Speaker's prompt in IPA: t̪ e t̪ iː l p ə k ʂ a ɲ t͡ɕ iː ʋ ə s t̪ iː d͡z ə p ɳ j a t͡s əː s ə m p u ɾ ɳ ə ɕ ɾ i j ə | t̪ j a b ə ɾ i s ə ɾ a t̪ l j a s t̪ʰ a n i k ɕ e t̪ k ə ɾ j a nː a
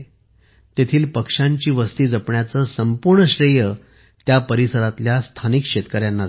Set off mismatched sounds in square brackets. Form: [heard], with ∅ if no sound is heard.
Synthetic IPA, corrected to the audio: t̪ e [t̪ʰ] iː l p ə k ʂ a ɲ t͡ɕ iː ʋ ə s t̪ iː d͡z ə p ɳ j a t͡s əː s ə m p u ɾ ɳ ə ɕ ɾ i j ə | t̪ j a [p] ə ɾ i s ə ɾ a t̪ l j a s t̪ʰ a n i k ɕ e t̪ k ə ɾ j a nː a